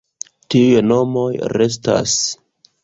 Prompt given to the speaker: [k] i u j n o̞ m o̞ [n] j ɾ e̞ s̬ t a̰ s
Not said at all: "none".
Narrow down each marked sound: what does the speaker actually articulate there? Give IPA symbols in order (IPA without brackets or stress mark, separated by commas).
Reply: t, none